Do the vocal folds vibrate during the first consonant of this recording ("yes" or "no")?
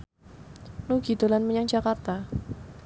yes